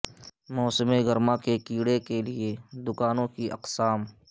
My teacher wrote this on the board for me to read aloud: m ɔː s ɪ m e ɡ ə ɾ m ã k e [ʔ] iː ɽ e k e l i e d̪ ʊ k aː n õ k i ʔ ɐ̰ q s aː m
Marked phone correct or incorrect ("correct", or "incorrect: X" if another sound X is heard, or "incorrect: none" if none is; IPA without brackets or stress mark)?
incorrect: k